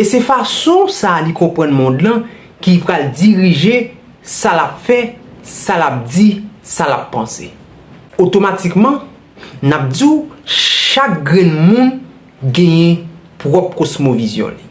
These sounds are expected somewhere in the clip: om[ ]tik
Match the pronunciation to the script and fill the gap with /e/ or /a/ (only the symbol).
a